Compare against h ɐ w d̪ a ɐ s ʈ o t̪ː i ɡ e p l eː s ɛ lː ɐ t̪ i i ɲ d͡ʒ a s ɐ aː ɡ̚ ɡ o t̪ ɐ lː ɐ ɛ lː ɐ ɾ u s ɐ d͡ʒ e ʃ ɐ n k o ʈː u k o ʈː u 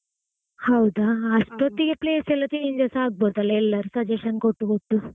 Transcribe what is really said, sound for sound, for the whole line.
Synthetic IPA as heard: h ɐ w d̪ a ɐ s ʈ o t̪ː i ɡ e p l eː s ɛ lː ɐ t̪ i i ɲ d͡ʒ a s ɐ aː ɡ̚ b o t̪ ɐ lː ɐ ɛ lː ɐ ɾ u s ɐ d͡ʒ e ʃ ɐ n k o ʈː u k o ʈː u

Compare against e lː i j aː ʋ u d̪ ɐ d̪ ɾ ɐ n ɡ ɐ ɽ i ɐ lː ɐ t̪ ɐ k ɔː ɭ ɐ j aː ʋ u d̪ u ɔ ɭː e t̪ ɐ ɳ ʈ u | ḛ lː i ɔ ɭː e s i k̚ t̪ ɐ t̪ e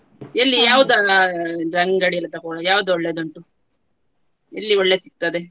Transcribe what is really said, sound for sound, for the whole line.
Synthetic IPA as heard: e lː i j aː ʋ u d̪ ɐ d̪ ɾ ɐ ŋ ɡ ɐ ɽ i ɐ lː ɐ t̪ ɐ k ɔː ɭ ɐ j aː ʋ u d̪ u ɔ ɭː e d̪ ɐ ɳ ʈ u | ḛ lː i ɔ ɭː e s i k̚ t̪ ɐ d̪ e

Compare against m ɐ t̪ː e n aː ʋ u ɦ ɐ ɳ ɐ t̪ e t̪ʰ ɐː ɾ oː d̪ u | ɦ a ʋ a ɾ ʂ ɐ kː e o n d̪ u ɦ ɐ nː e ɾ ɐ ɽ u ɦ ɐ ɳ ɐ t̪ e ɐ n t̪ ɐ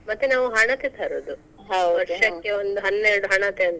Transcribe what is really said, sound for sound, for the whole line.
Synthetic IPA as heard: m ɐ t̪ː e n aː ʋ u ɦ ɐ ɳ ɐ t̪ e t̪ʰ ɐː ɾ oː d̪ u | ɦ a ʋ ɐ ɾ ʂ ɐ kː e o n d̪ u ɦ ɐ nː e ɾ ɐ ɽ u ɦ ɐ ɳ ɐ t̪ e ɐ n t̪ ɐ

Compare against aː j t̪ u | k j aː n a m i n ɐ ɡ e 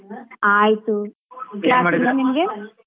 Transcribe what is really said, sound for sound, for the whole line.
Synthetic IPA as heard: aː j t̪ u | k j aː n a n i m ɐ ɡ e

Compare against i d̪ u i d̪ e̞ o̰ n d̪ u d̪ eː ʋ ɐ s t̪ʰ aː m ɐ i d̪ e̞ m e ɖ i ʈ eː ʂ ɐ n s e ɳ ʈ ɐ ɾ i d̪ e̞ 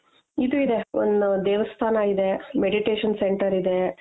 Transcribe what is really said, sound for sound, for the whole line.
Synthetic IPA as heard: i d̪ u i d̪ e̞ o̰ n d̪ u d̪ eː ʋ ɐ s t̪ʰ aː n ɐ i d̪ e̞ m e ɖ i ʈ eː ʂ ɐ n s e ɳ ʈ ɐ ɾ i d̪ e̞

